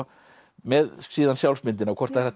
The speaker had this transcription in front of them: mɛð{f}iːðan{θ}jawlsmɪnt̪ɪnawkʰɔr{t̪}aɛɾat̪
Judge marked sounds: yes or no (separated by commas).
no, no, yes